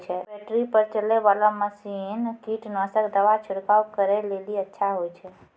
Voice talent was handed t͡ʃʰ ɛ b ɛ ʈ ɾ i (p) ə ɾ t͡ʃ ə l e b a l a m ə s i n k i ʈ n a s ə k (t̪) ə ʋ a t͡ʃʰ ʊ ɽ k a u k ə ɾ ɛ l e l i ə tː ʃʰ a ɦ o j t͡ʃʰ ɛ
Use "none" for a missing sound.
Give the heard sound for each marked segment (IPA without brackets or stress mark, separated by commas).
p, d̪